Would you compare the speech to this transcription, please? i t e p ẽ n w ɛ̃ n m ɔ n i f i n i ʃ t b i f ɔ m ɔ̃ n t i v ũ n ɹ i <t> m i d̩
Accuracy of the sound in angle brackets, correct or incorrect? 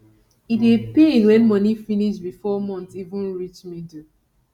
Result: incorrect